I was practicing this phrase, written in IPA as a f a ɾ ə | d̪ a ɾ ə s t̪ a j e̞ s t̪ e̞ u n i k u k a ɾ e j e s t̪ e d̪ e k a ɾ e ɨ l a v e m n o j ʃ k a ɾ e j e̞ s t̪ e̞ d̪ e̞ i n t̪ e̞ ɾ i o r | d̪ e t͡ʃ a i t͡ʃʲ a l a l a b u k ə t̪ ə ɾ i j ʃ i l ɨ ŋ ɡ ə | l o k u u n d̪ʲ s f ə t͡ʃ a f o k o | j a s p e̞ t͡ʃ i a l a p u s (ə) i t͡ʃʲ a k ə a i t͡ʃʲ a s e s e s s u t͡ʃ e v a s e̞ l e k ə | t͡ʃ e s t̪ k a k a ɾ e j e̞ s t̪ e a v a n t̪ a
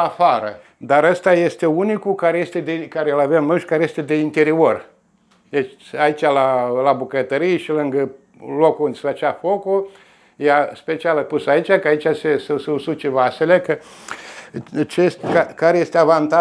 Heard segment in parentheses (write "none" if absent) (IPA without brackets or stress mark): a